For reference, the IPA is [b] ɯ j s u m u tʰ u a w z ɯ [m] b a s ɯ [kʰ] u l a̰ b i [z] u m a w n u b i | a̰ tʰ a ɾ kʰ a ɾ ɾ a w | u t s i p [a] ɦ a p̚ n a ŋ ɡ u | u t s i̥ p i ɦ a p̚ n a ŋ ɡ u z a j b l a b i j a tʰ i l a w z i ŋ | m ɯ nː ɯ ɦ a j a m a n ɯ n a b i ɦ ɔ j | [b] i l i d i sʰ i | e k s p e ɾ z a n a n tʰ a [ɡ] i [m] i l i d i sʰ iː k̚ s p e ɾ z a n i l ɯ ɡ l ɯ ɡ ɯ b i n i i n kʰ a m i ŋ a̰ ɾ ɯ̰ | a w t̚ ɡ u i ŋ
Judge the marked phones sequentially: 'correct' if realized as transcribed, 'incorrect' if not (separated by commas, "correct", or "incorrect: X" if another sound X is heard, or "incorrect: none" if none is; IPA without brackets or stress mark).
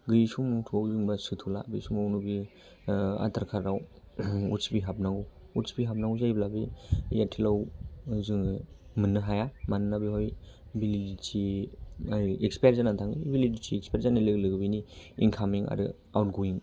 incorrect: ɡ, incorrect: ŋ, incorrect: tʰ, incorrect: s, incorrect: i, correct, incorrect: ŋ, incorrect: b